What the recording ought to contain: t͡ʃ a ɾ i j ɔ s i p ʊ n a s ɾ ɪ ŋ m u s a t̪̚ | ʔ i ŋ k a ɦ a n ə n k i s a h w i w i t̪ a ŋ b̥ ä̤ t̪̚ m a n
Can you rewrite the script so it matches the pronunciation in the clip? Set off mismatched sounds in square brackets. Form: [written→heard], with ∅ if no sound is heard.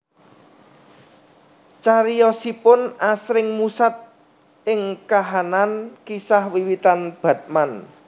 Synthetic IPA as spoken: t͡ʃ a ɾ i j ɔ s i p ʊ n a s ɾ ɪ ŋ m u s a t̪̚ | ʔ [i→ɪ] ŋ k a ɦ a n [ə→a] n k i s a h w i w i t̪ a [ŋ→n] b̥ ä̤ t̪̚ m a n